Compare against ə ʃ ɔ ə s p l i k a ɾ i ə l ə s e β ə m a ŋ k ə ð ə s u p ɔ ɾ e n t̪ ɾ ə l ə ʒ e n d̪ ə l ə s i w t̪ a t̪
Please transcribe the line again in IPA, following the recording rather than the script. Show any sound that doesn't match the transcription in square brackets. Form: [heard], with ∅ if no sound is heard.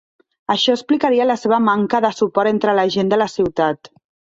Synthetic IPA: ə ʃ ɔ ə s p l i k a ɾ i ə l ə s e β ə m a ŋ k ə ð ə s u p ɔ ɾ e n t̪ ɾ ə l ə ʒ e n d̪ ə l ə s i w t̪ a t̪